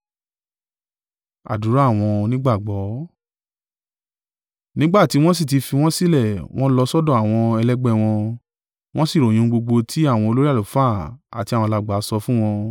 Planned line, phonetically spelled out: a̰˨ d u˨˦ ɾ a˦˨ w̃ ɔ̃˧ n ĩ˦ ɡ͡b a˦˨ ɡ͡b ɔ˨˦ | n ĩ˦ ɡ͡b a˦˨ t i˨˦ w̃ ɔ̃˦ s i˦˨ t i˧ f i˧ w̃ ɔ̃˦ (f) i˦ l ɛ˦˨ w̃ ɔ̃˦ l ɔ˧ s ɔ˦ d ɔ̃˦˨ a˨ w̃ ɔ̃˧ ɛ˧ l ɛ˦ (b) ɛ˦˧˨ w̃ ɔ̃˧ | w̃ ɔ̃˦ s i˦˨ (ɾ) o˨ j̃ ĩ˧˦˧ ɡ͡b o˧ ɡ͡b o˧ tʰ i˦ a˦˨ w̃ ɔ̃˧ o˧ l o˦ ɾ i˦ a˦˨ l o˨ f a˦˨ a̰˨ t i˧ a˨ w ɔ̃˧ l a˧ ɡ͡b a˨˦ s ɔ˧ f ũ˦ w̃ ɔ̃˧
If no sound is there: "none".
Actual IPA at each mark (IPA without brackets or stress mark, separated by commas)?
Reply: s, ɡ͡b, ɾ